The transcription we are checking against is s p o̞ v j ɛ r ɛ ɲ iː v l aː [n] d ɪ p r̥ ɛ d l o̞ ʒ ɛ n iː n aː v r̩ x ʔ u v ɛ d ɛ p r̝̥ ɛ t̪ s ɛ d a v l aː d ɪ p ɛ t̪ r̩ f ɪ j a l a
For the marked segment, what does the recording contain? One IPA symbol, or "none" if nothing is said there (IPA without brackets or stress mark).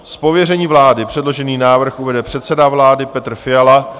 none